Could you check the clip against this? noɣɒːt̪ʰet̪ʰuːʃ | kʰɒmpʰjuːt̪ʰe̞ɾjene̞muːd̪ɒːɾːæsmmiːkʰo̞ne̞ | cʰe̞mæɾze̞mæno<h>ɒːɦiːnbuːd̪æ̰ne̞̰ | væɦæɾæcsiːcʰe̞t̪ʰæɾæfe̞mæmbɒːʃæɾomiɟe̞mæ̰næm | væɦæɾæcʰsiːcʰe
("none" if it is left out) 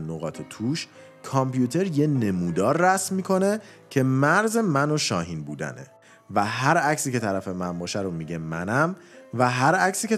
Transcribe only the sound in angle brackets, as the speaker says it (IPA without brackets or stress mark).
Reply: ʃ